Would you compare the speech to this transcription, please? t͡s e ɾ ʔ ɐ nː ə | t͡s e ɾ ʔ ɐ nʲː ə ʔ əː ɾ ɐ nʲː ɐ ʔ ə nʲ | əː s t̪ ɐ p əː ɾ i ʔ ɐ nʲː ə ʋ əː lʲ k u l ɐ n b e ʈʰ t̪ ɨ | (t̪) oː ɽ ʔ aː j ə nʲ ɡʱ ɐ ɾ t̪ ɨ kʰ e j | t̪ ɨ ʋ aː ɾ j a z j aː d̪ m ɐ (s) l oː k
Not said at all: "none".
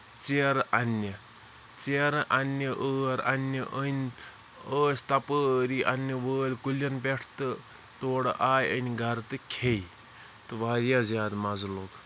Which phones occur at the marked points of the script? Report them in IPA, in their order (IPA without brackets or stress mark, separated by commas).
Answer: t̪, z